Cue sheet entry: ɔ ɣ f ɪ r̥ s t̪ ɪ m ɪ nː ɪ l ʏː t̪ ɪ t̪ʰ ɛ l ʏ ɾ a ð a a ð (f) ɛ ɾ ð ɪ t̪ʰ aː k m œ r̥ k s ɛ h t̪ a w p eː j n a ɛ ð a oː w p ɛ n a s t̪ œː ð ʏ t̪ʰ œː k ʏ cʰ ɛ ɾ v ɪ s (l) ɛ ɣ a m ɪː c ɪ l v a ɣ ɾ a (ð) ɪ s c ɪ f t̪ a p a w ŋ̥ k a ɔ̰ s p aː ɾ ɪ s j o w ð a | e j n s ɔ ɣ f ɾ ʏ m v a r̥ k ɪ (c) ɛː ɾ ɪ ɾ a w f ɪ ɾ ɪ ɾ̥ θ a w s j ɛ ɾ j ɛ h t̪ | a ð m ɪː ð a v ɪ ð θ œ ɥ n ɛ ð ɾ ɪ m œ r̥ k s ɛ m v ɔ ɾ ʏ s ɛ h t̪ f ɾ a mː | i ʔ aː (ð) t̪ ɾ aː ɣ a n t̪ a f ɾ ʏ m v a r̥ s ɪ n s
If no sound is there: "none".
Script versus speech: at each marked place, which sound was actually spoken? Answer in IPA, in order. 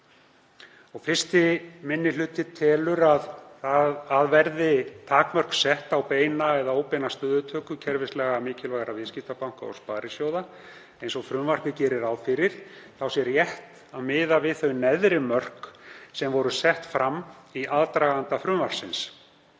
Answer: v, l, v, c, ð

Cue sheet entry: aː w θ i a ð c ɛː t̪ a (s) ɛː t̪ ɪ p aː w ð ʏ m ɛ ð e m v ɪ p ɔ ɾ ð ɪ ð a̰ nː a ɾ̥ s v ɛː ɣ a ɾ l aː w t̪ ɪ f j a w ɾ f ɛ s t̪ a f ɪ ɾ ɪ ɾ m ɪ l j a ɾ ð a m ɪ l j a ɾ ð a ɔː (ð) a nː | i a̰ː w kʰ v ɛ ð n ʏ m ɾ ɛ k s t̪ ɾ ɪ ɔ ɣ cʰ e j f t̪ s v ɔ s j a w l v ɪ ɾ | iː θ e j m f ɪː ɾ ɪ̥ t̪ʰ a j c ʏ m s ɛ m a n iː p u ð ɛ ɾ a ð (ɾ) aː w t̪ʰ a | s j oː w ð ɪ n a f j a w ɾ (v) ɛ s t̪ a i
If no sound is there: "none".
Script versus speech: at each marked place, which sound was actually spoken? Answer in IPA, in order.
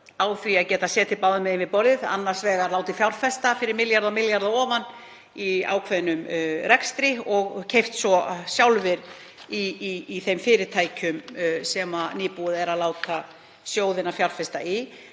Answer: s, v, l, f

